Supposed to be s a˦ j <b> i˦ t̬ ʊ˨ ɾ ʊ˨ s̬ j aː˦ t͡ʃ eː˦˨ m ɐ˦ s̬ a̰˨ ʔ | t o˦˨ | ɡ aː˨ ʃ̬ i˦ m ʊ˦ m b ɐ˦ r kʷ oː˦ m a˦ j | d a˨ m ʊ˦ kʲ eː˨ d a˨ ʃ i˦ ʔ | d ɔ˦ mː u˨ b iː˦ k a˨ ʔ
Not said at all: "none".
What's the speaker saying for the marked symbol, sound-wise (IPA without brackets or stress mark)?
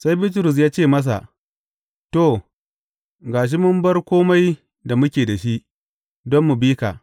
b